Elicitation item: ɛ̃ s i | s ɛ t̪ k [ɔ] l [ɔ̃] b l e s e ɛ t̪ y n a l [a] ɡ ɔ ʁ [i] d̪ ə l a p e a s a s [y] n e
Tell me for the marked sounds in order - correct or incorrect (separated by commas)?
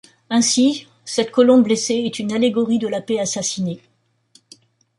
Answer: correct, correct, incorrect, correct, incorrect